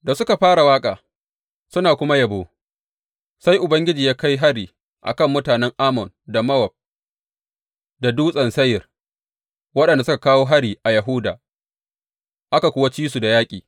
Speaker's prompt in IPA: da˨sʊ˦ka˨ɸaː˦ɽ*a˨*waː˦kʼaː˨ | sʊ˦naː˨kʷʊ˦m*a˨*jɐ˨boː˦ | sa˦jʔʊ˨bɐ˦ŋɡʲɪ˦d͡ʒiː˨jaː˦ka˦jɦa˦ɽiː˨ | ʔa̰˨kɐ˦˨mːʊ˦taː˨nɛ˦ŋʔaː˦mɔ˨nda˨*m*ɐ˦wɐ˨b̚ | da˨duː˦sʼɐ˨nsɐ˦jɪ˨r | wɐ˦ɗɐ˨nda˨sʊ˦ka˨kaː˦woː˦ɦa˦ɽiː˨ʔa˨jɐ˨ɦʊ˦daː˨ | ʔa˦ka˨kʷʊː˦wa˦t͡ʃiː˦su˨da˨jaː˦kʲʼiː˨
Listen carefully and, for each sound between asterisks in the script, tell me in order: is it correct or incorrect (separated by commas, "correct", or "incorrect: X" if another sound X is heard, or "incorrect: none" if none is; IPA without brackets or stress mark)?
correct, incorrect: a˦, correct